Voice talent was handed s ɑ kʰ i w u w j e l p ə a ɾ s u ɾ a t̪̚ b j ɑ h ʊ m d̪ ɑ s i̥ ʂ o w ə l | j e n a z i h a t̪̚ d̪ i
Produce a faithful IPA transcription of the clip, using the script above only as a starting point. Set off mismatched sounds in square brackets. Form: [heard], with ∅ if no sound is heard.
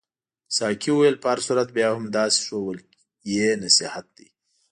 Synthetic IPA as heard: s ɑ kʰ i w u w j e l p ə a ɾ s u ɾ a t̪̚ b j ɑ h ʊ m d̪ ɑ s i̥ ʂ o w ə l | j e n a [s] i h a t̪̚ d̪ i

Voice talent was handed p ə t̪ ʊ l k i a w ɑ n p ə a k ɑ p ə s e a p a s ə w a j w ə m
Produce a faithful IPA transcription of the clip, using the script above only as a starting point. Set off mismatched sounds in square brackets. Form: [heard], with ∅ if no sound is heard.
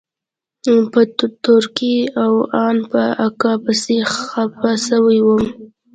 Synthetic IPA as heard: p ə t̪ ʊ [ɾ] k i a w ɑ n p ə a k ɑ p ə s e a p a s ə w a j w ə m

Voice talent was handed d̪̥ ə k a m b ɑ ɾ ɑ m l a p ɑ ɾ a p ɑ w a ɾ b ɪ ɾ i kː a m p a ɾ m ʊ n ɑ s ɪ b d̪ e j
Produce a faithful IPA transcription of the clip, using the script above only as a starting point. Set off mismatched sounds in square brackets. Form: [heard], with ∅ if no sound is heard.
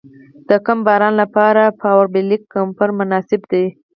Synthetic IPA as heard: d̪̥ ə k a m b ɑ ɾ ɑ [n] l a p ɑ ɾ a p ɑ w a ɾ b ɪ [l] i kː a m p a ɾ m ʊ n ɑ s ɪ b d̪ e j

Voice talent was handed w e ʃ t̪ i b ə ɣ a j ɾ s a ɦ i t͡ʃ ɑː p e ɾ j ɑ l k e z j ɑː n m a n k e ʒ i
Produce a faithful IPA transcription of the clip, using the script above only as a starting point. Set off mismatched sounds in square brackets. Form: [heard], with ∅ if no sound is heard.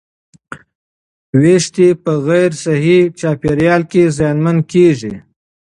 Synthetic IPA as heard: w e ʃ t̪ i [p] ə ɣ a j ɾ s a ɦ i t͡ʃ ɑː p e ɾ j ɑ l k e z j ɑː n m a n k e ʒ i

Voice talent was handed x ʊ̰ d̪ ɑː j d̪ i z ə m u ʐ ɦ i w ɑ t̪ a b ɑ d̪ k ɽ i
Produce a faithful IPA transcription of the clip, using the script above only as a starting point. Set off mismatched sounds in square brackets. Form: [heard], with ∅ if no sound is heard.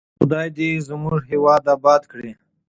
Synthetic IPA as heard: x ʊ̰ d̪ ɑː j d̪ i z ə m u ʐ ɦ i w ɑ [d̪] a b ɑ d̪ k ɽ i

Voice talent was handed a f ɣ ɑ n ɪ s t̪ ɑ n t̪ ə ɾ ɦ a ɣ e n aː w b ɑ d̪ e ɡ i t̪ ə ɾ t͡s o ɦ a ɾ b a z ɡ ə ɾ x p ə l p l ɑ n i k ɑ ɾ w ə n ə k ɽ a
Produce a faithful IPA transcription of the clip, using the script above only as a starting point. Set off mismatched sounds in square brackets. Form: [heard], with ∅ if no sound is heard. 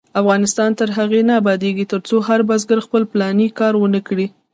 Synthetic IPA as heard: a f ɣ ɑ n ɪ s t̪ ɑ n t̪ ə ɾ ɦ a ɣ e n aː [∅] b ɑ d̪ e ɡ i t̪ ə ɾ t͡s o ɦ a ɾ b a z ɡ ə ɾ x p ə l p l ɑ n i k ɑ ɾ w ə n ə k ɽ [i]

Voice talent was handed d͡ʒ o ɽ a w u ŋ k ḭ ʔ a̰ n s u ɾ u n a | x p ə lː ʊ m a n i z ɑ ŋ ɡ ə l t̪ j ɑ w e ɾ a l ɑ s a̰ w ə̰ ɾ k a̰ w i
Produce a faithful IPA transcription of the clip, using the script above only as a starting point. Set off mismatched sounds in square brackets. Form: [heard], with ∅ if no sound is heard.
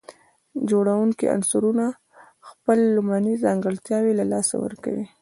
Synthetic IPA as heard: d͡ʒ o ɽ a w u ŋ k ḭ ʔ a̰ n s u ɾ u n a | x p ə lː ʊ m a n i z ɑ ŋ ɡ ə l t̪ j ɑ w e [l] a l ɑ s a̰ w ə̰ ɾ k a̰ w i

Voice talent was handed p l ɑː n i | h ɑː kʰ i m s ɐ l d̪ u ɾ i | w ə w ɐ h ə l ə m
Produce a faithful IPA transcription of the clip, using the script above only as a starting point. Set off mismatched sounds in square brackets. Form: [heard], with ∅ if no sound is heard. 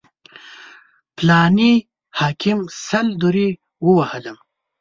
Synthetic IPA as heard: p l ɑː n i | h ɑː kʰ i m s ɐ l d̪ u ɾ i | w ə w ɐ h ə l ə m

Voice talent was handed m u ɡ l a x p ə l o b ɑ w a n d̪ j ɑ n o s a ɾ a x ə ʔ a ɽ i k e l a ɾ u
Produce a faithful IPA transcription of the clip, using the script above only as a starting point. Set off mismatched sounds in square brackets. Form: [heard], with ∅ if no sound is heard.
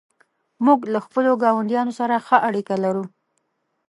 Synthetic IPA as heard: m u ɡ l a x p ə l o [ɡ] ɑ w a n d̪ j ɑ n o s a ɾ a x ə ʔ a ɽ i k [a] l a ɾ u

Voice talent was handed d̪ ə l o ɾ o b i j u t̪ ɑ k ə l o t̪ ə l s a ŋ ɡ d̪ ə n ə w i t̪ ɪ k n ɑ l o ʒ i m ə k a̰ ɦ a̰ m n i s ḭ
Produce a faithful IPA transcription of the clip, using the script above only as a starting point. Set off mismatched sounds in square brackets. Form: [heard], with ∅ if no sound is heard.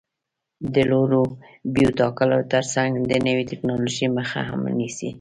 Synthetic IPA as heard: d̪ ə l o ɾ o b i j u t̪ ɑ k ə l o t̪ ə [ɾ] s a ŋ ɡ d̪ ə n ə w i t̪ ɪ k n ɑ l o ʒ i m ə [x] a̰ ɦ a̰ m n i s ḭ

